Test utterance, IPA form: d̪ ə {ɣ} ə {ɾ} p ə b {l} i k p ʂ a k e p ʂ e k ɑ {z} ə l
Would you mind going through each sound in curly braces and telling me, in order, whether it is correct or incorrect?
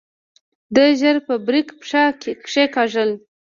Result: incorrect, correct, incorrect, incorrect

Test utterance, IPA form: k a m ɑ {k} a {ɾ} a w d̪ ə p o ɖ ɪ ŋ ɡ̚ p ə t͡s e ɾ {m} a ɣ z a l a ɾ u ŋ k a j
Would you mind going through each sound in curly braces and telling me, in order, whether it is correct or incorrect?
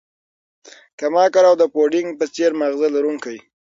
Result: correct, correct, correct

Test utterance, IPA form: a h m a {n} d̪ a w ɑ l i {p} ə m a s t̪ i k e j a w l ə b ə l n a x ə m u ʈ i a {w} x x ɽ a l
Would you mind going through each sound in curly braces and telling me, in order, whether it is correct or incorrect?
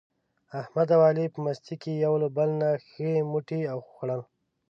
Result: incorrect, correct, correct

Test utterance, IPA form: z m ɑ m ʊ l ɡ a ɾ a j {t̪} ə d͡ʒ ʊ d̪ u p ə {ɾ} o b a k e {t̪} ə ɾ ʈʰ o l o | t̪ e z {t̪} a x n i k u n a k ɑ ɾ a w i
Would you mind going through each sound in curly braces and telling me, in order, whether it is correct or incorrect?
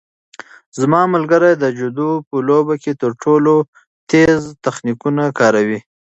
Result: incorrect, incorrect, correct, correct

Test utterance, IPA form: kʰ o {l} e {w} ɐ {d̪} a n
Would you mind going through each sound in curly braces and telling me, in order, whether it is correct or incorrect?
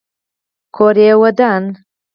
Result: incorrect, correct, correct

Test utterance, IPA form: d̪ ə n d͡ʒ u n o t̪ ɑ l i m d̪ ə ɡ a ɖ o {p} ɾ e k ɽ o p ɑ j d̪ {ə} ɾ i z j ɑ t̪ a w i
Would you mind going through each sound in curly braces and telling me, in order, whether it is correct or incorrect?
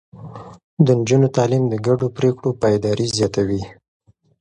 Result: correct, incorrect

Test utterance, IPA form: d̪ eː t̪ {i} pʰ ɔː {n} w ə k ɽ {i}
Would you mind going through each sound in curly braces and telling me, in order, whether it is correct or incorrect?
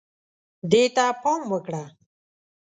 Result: incorrect, incorrect, incorrect

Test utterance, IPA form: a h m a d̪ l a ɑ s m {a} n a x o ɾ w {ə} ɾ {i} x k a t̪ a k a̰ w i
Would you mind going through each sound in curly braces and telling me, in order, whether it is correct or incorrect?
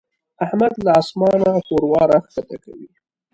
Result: incorrect, incorrect, incorrect

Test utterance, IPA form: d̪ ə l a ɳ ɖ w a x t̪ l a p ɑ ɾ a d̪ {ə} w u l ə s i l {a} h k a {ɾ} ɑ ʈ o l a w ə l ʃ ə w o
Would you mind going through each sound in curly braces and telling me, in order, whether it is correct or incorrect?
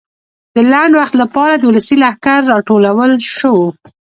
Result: correct, correct, incorrect

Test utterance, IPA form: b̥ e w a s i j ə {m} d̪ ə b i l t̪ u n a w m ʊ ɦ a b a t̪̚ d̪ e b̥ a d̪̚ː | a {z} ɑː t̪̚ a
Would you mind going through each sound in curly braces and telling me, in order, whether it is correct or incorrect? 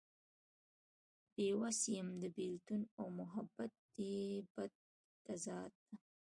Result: correct, correct

